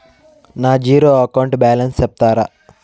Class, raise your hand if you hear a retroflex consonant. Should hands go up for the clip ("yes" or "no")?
yes